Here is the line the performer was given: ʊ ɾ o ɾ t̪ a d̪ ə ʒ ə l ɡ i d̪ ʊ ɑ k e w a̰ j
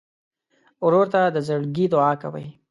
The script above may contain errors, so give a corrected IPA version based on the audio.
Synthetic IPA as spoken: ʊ ɾ o ɾ t̪ a d̪ ə z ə ɽ ɡ i d̪ ʊ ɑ k a w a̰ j